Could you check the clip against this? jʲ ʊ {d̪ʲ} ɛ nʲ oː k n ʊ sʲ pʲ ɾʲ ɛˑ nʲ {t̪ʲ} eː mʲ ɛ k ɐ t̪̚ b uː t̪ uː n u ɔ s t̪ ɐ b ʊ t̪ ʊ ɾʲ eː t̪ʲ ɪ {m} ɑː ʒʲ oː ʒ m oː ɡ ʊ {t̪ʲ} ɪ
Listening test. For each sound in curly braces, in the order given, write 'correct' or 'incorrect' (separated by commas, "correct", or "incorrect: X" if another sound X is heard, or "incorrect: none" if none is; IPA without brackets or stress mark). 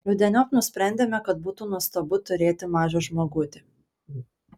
correct, incorrect: d̪ʲ, correct, correct